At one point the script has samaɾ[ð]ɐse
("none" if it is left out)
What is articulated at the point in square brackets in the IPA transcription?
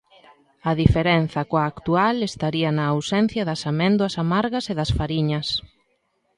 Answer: ɣ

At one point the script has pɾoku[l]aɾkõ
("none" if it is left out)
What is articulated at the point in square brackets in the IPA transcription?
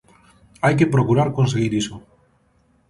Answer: ɾ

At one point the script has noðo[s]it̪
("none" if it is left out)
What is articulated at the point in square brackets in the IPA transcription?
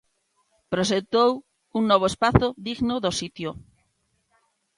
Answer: s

